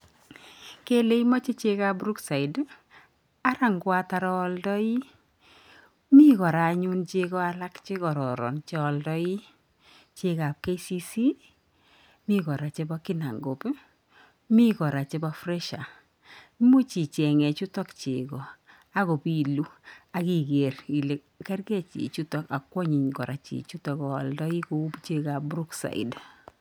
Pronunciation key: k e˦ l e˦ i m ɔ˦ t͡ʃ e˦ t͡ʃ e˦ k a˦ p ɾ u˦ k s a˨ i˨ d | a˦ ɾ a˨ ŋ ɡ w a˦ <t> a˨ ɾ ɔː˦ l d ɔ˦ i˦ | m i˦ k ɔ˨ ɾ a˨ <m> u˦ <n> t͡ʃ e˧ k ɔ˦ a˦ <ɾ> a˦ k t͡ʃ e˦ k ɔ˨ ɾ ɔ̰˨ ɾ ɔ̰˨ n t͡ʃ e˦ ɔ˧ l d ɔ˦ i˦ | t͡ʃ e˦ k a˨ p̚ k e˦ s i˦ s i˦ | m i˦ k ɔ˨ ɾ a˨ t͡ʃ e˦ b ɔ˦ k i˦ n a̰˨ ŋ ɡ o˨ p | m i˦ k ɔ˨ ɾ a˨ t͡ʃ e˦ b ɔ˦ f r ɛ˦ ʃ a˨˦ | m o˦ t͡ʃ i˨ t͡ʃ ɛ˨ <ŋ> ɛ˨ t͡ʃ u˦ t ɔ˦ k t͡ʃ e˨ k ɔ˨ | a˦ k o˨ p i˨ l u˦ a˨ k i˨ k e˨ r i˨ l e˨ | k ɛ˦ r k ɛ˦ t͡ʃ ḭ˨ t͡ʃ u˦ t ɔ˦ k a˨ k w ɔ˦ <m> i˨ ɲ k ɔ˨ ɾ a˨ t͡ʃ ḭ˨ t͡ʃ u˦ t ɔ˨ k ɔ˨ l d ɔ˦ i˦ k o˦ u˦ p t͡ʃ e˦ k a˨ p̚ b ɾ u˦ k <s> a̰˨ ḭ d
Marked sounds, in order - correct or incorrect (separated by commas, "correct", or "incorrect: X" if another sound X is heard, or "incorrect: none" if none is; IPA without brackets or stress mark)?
correct, incorrect: ɲ, correct, incorrect: l, correct, incorrect: ɲ, correct